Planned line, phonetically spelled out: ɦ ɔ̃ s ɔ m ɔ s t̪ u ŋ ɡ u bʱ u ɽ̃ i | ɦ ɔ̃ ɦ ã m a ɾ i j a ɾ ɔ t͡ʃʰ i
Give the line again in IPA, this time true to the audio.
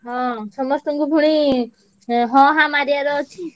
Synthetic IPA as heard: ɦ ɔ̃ s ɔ m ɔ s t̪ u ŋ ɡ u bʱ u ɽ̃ i | ɦ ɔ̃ ɦ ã m a ɾ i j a ɾ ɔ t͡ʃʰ i